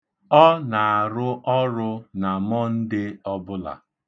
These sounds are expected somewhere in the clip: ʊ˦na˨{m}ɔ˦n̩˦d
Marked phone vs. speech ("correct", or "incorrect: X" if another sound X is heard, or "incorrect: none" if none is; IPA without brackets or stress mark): correct